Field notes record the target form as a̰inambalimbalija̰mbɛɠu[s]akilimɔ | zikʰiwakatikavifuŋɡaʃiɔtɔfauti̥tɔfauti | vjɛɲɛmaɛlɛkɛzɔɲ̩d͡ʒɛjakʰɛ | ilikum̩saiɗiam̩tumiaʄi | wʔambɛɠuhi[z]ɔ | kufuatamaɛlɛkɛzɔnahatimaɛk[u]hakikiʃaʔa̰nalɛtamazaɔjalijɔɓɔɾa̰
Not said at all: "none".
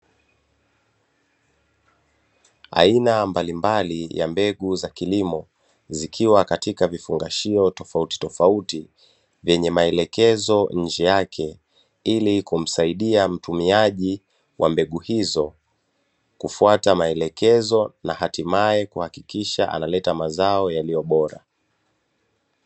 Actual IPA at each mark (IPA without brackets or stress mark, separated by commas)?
z, z, u